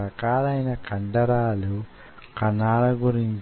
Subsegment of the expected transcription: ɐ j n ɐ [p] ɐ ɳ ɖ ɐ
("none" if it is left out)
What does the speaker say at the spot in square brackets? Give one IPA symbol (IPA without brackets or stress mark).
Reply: k